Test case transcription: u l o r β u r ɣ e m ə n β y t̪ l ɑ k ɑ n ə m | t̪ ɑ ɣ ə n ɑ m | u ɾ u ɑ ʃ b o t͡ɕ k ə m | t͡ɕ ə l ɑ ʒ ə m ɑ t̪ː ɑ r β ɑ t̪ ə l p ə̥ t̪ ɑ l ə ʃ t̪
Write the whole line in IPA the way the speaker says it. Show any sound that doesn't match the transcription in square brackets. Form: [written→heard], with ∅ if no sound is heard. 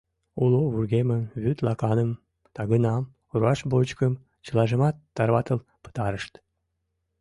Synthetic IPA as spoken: u l o [r→∅] β u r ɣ e m ə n β y t̪ l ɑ k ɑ n ə m | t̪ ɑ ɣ ə n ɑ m | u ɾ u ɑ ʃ b o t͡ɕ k ə m | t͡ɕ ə l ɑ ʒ ə m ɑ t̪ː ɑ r β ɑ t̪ ə l p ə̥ t̪ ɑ [l→ɾ] ə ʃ t̪